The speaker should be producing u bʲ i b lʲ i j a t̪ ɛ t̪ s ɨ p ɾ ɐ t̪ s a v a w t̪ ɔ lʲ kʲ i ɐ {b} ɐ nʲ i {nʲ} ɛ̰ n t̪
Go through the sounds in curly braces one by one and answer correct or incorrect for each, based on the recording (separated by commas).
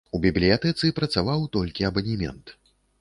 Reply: correct, incorrect